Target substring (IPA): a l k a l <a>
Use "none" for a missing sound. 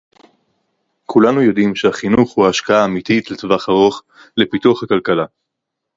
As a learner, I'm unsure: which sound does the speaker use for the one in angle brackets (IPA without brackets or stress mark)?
a